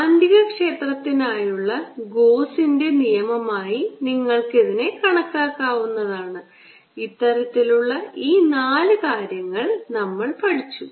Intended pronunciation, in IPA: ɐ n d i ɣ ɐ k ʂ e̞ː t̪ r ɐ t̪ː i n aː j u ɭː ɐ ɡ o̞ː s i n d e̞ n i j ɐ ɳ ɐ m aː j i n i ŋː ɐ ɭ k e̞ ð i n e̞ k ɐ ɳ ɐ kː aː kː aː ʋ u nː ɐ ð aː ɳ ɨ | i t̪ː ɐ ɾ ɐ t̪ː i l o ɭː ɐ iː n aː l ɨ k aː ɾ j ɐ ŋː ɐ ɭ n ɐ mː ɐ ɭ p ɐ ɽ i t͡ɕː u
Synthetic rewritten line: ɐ n d i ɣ ɐ k ʂ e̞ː t̪ r ɐ t̪ː i n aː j u ɭː ɐ ɡ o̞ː s i n d e̞ n i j ɐ m ɐ m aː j i n i ŋː ɐ ɭ k e̞ ð i n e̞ k ɐ ɳ ɐ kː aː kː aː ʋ u nː ɐ ð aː ɳ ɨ | i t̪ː ɐ ɾ ɐ t̪ː i l u ɭː ɐ iː n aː l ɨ k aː ɾ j ɐ ŋː ɐ ɭ n ɐ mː ɐ ɭ p ɐ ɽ i t͡ɕː u